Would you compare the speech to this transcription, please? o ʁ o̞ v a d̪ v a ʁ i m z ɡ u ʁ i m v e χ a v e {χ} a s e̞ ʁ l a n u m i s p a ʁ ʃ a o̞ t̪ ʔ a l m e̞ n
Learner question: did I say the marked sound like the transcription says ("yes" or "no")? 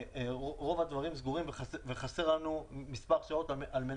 yes